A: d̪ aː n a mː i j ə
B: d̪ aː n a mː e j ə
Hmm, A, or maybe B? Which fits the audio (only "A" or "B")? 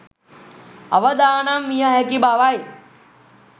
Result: A